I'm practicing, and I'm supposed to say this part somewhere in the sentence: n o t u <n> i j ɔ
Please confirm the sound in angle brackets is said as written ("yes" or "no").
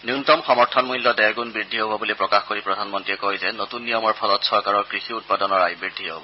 no